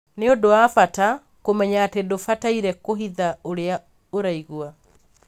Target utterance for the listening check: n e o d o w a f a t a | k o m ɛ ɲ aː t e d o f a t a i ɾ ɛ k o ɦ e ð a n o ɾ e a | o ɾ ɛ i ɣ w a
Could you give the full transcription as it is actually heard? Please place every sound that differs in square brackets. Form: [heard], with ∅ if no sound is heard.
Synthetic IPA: n e o d o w a f a t a | k o m ɛ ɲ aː t e d o f a t a i ɾ ɛ k o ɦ [i] ð a [∅] o ɾ e a | o ɾ [a] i ɣ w a

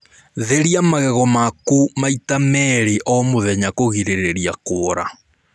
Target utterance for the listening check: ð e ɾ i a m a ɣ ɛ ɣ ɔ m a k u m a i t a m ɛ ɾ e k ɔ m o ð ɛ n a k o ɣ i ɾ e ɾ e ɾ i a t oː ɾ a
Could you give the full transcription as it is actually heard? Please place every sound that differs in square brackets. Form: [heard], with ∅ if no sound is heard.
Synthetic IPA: ð e ɾ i a m a ɣ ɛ ɣ ɔ m a k u m a i t a m ɛ ɾ e [ʔ] ɔ m o ð ɛ [ɲ] a k o ɣ i ɾ e ɾ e ɾ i a [k] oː ɾ a

